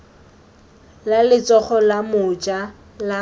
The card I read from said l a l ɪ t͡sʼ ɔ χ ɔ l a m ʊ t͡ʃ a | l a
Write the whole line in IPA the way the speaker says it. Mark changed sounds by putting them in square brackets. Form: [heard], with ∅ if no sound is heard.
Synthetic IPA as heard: l a l ɪ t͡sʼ ɔ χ ɔ l a m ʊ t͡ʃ a | l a